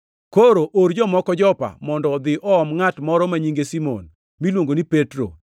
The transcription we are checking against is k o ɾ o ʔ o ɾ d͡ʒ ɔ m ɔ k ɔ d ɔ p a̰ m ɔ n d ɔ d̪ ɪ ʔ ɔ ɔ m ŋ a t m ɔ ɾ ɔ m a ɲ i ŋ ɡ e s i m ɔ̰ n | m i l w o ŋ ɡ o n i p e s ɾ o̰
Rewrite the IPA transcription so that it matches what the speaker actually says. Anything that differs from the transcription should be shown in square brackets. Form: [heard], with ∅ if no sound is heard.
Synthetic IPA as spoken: k o ɾ o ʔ o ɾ d͡ʒ ɔ m ɔ k ɔ [d͡ʒ] ɔ p a̰ m ɔ n d ɔ d̪ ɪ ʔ ɔ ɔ m ŋ a t m ɔ ɾ ɔ m a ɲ i ŋ ɡ e s i m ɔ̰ n | m i l w o ŋ ɡ o n i p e [t] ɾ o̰

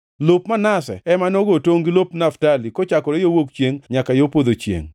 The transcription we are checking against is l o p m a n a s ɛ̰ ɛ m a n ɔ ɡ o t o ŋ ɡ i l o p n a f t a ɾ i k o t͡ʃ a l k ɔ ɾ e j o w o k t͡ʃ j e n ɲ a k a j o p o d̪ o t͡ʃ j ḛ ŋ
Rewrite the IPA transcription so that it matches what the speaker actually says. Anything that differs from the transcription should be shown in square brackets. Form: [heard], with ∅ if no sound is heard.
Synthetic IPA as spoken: l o p m a n a s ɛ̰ ɛ m a n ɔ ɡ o t o ŋ ɡ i l o p n a f t a [l] i k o t͡ʃ a [∅] k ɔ ɾ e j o w o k t͡ʃ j e [ŋ] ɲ a k a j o p o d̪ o t͡ʃ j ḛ ŋ

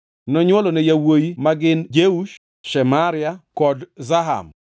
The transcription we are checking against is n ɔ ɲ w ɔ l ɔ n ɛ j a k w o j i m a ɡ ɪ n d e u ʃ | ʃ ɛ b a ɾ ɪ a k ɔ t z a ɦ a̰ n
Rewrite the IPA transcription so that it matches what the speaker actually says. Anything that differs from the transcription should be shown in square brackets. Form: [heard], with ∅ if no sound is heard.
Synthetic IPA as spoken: n ɔ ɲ w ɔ l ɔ n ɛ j a [∅] w o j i m a ɡ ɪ n [d͡ʒ] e u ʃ | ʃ ɛ [m] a ɾ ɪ a k ɔ [d] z a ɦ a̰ [m]

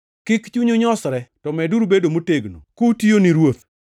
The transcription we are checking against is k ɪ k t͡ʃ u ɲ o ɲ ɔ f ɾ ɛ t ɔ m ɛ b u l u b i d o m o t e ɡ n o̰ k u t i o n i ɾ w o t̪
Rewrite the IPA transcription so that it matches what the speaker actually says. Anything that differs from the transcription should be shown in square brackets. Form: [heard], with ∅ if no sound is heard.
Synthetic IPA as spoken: k ɪ k t͡ʃ u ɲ o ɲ ɔ [s] ɾ ɛ t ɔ m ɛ [d] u [ɾ] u b [e] d o m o t e ɡ n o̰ k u t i o n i ɾ w o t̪

